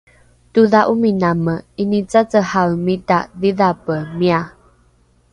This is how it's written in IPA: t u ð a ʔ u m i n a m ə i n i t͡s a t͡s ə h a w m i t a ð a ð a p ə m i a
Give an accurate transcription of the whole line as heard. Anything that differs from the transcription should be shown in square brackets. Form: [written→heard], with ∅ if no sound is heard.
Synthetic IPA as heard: t u ð a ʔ u m i n a m ə i n i t͡s a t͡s ə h a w m i t a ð [a→i] ð a p ə m i a